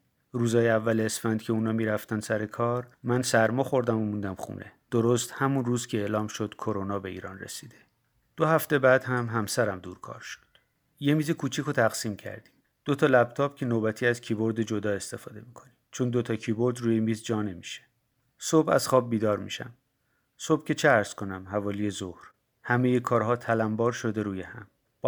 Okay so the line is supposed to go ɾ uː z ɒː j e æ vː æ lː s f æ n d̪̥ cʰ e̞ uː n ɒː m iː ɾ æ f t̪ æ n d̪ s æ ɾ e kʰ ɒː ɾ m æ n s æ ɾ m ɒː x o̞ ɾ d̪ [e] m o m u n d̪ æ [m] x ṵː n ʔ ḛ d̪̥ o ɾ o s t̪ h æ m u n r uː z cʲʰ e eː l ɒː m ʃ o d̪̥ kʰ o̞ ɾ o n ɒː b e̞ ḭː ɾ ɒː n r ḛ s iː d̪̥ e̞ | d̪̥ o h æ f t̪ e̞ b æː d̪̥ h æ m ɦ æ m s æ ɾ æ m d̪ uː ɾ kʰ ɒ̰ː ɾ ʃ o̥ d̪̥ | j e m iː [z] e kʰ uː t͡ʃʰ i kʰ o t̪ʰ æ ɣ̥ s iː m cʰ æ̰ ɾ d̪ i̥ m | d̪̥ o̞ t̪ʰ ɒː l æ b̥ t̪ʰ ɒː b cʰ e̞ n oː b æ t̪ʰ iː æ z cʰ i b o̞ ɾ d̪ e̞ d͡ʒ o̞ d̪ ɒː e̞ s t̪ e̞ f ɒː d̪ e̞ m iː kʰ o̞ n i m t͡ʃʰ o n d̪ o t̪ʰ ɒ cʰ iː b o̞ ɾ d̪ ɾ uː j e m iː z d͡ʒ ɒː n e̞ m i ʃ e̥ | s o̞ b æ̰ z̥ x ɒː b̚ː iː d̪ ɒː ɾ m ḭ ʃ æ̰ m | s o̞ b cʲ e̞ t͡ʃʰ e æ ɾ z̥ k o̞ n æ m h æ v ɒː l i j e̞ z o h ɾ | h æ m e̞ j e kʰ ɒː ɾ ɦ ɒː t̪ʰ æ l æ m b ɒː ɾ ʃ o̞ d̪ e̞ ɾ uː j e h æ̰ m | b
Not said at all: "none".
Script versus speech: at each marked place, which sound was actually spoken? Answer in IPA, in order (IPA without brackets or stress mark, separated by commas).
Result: æ, m, z